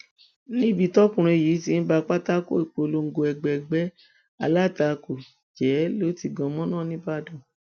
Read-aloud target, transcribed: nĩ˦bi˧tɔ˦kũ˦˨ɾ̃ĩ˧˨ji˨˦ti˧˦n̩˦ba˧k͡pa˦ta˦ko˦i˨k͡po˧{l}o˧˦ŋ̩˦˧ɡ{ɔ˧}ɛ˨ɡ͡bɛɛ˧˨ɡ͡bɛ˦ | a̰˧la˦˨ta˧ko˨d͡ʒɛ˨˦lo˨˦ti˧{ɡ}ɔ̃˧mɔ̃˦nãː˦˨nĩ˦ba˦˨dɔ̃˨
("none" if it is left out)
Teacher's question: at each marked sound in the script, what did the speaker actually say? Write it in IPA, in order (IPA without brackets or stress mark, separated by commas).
l, o˧, ɡ